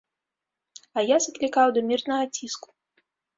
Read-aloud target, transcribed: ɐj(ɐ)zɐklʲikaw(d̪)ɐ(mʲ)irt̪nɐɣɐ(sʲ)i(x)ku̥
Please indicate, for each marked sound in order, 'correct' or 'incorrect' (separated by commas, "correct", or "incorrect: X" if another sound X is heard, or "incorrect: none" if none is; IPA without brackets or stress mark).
incorrect: a, correct, correct, incorrect: t͡sʲ, incorrect: s